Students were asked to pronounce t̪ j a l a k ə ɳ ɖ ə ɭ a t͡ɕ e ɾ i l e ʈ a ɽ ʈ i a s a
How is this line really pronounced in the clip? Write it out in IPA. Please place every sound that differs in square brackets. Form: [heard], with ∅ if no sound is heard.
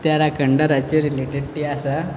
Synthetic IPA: t̪ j a [ɾ] a k ə ɳ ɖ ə [ɾ] a t͡ɕ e ɾ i l e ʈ [e] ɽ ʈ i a s a